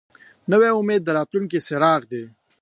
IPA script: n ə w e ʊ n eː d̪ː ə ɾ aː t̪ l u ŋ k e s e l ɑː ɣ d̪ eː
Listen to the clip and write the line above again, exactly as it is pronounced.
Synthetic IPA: n ə w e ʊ m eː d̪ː ə ɾ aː t̪ l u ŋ k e s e ɾ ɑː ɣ d̪ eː